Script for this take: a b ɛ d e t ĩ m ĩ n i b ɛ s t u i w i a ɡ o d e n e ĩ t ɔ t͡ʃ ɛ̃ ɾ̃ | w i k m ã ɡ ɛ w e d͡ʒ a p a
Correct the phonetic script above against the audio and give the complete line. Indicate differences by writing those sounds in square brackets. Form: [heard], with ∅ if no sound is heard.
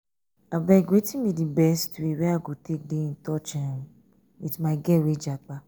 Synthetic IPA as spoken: a b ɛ [ɡ] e t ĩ m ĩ [d] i b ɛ s t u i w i a ɡ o [t] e [d] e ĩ t ɔ t͡ʃ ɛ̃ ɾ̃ | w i [t] m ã ɡ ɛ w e d͡ʒ a [k͡p] a